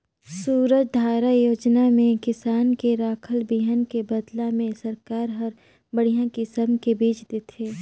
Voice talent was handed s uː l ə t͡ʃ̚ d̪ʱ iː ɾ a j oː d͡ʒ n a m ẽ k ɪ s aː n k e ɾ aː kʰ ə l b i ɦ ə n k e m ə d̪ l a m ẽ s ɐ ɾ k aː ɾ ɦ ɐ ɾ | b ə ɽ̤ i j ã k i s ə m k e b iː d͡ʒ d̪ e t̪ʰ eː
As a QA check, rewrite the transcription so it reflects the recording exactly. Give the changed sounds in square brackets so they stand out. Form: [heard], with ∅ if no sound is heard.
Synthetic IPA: s uː [ɾ] ə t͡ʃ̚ d̪ʱ [aː] ɾ a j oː d͡ʒ n a m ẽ k ɪ s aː n k e ɾ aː kʰ ə l b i ɦ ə n k e [b] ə d̪ l a m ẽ s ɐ ɾ k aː ɾ ɦ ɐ ɾ | b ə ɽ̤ i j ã k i s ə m k e b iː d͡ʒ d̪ e t̪ʰ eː